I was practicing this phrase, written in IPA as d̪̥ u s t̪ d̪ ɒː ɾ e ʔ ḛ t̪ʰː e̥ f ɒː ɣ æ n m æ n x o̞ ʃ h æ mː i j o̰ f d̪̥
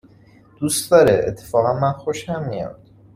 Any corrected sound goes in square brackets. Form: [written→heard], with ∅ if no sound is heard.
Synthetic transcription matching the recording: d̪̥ u s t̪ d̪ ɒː ɾ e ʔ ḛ t̪ʰː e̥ f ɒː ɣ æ n m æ n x o̞ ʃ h æ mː i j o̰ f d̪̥